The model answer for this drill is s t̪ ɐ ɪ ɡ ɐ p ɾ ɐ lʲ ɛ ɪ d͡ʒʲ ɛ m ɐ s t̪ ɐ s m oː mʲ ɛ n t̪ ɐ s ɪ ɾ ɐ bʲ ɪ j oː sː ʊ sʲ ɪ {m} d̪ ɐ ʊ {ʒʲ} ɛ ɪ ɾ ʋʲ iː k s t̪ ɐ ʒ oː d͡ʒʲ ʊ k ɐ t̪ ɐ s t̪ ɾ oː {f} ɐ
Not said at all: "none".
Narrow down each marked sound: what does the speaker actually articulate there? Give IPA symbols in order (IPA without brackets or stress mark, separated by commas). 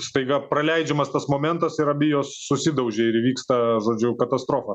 none, ʒʲ, f